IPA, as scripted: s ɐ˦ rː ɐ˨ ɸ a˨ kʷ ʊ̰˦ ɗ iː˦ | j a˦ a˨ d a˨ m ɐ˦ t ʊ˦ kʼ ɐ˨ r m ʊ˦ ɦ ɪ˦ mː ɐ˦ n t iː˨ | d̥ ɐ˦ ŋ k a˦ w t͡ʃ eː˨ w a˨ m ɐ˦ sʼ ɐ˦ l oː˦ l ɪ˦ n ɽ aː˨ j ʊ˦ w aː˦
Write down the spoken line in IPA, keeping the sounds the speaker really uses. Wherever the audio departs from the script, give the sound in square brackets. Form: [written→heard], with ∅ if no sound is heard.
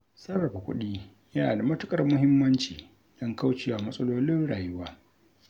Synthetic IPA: s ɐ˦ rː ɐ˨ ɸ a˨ kʷ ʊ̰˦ ɗ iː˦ | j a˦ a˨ d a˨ m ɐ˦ t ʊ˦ kʼ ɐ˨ r m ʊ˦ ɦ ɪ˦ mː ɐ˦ n [t→t͡ʃ] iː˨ | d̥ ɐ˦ ŋ k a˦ w t͡ʃ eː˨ w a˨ m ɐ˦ sʼ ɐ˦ l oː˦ l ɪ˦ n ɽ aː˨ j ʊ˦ w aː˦